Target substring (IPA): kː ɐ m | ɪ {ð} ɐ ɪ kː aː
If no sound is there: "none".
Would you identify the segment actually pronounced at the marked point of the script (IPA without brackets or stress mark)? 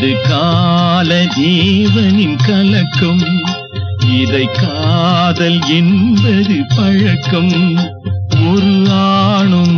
ð